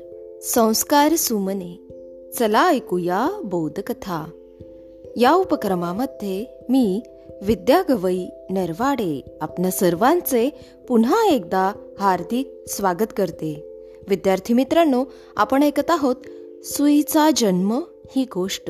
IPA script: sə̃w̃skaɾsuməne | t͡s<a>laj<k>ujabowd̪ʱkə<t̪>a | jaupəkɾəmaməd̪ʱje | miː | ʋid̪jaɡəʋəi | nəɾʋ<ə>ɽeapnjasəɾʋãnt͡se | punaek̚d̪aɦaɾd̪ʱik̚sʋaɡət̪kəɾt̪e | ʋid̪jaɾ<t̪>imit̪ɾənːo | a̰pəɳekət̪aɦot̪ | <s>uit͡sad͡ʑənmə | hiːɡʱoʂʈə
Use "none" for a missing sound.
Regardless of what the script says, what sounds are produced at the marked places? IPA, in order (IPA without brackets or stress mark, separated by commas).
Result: ə, k, t̪ʰ, a, t̪ʰ, s